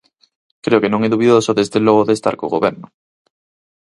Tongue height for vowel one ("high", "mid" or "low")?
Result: mid